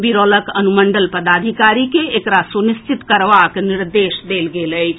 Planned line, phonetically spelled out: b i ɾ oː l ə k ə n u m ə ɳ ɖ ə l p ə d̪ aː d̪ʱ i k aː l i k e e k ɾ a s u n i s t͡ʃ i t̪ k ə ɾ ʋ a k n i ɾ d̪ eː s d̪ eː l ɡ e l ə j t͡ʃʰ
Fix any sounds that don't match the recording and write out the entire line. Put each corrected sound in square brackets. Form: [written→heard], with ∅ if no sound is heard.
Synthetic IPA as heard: b i ɾ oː l ə k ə n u m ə ɳ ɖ ə l p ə d̪ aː d̪ʱ i k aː [l→ɾ] i k e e k ɾ a s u n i s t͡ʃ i t̪ k ə ɾ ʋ a k n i ɾ d̪ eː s d̪ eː l ɡ e l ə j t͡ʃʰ